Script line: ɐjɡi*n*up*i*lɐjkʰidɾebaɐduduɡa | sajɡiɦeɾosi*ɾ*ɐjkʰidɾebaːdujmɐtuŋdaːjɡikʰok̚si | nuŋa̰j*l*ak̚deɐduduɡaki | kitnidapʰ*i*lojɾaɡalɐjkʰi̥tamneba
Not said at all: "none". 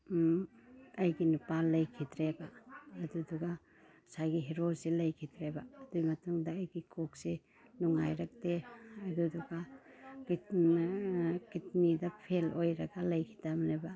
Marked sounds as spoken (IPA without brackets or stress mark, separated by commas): n, a, l, ɾ, e